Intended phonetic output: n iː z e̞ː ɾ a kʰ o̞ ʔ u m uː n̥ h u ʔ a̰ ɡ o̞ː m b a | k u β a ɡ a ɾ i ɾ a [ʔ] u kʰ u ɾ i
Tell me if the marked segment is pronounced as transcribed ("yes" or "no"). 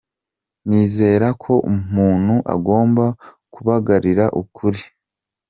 yes